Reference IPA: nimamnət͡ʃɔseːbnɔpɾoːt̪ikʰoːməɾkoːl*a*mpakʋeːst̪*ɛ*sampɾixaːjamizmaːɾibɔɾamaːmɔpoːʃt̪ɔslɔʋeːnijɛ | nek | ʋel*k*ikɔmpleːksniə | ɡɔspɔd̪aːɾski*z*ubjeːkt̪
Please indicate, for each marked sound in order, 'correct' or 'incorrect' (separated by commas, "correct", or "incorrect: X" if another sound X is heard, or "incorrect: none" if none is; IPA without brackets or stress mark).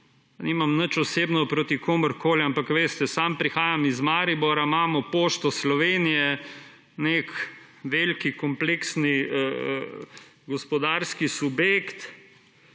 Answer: correct, correct, correct, incorrect: s